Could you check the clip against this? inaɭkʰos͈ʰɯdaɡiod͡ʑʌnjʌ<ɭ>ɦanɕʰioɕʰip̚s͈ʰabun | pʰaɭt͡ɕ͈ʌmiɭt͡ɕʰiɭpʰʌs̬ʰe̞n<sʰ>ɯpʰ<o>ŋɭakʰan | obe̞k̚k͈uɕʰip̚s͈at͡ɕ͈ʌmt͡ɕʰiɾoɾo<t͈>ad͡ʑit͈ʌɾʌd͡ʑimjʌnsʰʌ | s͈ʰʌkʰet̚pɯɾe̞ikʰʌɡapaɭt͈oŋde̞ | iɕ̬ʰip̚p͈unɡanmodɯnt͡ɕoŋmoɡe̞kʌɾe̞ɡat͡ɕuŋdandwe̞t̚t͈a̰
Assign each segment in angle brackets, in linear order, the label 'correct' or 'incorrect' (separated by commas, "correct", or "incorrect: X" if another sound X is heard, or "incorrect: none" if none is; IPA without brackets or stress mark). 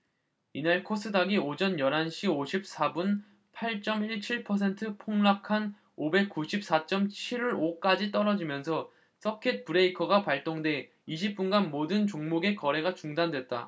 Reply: incorrect: ɾ, incorrect: tʰ, correct, incorrect: k͈